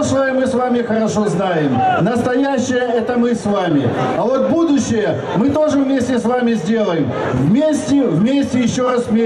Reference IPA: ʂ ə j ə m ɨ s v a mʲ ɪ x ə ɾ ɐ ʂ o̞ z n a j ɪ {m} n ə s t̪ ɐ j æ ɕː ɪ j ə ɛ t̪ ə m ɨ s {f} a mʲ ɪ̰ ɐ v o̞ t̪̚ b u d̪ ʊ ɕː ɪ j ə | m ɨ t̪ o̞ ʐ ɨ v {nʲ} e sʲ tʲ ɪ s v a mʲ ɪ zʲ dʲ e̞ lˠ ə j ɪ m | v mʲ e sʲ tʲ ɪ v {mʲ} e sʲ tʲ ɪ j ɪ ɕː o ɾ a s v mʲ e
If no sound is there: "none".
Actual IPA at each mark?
m, v, mʲ, mʲ

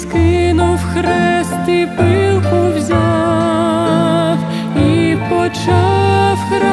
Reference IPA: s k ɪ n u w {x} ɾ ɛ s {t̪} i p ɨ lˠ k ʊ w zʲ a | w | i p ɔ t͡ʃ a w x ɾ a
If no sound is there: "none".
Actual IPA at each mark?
x, t̪

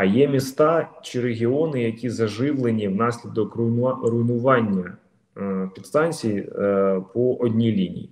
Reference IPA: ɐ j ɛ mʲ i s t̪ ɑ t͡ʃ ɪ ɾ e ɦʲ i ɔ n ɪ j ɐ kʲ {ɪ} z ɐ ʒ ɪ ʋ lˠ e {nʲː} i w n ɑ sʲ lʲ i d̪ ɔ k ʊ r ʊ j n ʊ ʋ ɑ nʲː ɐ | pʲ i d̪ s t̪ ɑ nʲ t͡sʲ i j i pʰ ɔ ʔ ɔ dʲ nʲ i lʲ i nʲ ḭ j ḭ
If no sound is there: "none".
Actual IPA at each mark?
i, nʲ

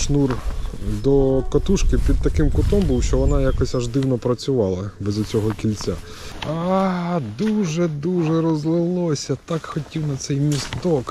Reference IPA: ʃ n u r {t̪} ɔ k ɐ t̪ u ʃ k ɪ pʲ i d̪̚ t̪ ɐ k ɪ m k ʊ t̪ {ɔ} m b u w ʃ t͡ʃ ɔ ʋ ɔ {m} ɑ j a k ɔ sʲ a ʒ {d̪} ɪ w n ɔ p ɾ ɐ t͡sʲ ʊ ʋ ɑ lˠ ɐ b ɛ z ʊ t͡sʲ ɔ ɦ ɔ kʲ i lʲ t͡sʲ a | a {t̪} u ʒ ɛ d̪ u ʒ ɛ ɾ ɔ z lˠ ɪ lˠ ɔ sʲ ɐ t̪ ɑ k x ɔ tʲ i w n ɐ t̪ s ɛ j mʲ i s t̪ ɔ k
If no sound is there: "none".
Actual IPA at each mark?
d̪, ɔ, n, d̪, d̪

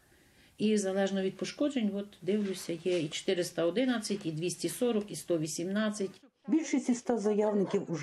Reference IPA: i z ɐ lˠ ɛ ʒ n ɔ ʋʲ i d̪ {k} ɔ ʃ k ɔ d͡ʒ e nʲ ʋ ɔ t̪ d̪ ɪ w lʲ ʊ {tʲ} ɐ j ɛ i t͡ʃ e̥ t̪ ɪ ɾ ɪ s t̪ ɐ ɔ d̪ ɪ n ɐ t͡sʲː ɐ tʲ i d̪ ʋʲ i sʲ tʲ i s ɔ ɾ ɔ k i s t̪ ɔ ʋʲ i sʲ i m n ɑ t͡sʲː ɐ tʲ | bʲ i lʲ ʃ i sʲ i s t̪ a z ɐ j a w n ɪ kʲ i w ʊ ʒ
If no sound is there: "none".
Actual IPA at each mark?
p, sʲ

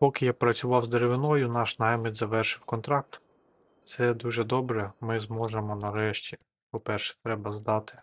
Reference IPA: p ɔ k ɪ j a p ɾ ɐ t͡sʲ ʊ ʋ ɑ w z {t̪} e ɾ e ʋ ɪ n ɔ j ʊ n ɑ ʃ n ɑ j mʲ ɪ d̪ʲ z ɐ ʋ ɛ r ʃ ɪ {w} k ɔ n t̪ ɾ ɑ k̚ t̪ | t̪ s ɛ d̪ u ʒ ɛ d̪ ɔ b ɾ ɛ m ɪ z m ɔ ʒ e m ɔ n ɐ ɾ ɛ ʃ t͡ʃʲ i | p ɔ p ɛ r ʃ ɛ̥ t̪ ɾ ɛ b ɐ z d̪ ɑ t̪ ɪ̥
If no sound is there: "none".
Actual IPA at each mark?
d̪, w

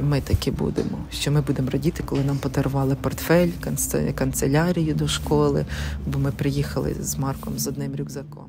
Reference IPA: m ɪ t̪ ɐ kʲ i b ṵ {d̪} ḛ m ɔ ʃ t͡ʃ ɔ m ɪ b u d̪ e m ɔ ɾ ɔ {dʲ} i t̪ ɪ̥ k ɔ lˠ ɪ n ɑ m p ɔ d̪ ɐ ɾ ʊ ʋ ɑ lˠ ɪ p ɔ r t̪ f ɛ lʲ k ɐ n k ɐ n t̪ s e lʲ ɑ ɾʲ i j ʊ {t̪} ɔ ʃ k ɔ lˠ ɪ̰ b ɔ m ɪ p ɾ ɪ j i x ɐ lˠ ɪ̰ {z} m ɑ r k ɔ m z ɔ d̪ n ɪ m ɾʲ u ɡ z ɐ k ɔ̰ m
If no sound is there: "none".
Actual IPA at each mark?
d̪, dʲ, d̪, z

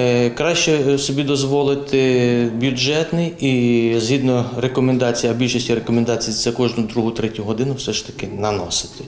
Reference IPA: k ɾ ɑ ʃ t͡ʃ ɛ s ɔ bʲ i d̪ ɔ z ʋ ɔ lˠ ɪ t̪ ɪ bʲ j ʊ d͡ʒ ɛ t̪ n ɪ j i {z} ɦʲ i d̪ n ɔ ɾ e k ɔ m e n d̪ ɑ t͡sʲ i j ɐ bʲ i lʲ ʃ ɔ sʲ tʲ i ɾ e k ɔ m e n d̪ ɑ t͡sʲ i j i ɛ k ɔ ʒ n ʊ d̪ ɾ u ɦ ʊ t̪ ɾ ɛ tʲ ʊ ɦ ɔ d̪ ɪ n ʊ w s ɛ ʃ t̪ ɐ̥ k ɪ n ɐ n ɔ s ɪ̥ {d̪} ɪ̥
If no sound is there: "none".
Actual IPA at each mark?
z, t̪

